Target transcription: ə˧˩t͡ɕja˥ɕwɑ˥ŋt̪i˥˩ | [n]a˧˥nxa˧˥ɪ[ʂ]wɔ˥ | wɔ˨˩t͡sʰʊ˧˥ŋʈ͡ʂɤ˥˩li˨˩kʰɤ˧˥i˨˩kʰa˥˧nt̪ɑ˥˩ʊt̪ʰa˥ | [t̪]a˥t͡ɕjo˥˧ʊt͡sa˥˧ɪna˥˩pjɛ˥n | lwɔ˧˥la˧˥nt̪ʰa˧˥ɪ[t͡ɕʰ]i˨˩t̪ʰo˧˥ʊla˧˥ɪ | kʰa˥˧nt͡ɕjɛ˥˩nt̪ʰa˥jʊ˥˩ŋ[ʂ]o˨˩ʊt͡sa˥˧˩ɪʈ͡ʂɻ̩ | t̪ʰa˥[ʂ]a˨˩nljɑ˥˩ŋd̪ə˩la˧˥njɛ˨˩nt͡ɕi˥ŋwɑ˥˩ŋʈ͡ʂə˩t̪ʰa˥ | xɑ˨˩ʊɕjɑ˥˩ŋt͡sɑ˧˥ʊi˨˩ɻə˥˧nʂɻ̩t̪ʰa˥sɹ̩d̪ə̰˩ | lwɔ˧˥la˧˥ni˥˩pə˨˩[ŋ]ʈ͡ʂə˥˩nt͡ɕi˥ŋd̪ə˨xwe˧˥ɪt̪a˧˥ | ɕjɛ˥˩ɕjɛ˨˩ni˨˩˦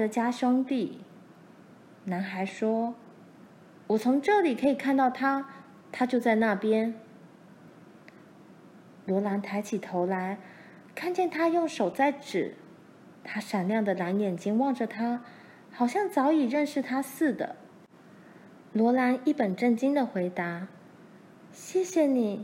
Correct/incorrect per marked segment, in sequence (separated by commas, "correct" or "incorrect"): correct, correct, incorrect, correct, correct, correct, incorrect